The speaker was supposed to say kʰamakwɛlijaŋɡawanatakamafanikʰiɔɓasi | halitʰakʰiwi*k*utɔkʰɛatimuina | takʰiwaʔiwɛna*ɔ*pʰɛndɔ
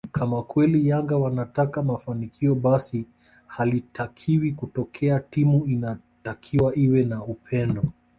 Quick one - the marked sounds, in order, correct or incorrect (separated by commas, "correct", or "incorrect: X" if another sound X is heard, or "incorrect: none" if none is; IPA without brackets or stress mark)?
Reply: correct, incorrect: u